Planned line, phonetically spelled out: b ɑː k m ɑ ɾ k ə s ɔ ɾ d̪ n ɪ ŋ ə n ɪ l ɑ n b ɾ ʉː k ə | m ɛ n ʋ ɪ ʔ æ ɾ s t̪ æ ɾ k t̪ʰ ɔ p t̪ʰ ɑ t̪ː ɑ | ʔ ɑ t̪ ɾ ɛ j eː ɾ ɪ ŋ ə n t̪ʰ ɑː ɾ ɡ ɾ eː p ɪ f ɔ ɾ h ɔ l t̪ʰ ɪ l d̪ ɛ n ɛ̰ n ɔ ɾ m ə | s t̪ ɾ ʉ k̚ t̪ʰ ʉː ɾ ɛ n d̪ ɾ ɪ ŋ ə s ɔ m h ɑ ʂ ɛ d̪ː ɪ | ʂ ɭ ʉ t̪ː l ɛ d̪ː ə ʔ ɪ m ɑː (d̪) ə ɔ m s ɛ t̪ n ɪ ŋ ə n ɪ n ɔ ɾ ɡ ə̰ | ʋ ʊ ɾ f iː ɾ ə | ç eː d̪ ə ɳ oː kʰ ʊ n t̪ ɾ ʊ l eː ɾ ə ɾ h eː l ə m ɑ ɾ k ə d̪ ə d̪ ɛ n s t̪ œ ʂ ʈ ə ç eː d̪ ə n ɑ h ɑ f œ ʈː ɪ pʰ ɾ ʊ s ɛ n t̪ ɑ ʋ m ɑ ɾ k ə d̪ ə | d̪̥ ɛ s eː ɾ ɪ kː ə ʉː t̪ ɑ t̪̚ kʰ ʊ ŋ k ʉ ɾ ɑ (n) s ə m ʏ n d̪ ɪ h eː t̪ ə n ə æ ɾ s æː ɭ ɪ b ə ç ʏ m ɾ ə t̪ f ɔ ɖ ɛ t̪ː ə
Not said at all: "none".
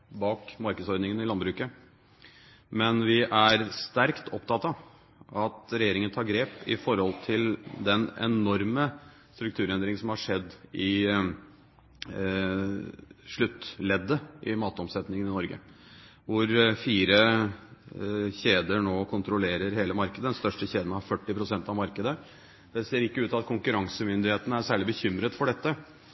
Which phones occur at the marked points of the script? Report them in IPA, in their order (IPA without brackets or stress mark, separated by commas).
t̪, ŋ